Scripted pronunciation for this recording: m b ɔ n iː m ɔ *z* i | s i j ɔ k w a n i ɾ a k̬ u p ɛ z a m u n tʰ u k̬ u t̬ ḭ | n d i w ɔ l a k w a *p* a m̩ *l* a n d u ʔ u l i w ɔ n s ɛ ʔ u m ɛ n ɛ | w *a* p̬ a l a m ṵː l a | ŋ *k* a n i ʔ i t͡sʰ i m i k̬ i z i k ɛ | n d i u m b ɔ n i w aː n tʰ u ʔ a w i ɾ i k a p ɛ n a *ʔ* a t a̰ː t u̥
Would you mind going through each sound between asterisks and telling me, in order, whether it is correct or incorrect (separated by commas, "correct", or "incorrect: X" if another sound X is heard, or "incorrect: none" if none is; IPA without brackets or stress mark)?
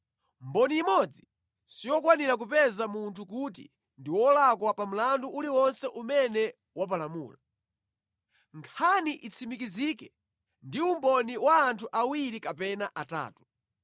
incorrect: d͡z, correct, correct, correct, incorrect: kʰ, correct